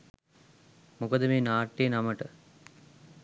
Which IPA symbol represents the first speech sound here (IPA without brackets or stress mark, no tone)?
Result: m